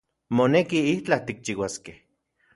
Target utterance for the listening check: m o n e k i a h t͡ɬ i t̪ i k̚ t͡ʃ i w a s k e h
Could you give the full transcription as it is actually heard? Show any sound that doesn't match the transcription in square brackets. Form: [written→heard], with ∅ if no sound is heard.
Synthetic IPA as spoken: m o n e k i [a→i] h t͡ɬ [i→a] t̪ i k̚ t͡ʃ i w a s k e h